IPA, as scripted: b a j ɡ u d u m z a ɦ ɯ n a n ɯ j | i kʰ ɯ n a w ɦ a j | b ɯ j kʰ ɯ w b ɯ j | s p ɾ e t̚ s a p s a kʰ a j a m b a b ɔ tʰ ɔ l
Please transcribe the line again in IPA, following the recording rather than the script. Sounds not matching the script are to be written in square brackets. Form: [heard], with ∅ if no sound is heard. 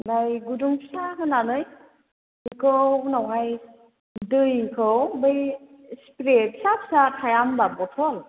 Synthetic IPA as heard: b a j ɡ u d u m [s] a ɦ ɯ n a n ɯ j | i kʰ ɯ n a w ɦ a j | [d] ɯ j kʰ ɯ w b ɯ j | s p ɾ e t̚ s a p s a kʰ a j a m b a b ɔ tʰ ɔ l